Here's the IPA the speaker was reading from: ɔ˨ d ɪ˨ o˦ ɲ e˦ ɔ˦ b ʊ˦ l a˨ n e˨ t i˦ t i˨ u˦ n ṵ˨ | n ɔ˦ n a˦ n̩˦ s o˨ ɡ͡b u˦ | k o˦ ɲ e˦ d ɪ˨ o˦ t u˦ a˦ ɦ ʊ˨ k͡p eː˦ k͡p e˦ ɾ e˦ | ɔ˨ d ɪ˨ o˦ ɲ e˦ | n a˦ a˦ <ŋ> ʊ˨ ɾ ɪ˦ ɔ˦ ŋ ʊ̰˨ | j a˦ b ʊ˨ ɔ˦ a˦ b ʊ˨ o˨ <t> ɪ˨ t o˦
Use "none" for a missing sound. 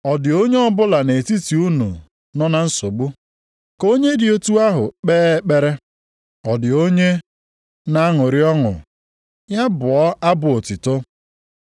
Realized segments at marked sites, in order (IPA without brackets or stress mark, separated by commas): ŋ, t